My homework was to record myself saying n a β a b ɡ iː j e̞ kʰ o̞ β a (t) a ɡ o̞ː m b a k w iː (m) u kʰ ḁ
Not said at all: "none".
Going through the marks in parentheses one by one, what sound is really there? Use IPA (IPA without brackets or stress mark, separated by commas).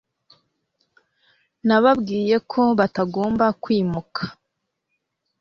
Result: t, m